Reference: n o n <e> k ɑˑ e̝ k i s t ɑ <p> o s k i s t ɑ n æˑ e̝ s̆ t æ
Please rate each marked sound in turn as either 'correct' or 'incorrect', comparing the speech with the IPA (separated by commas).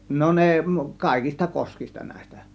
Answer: correct, incorrect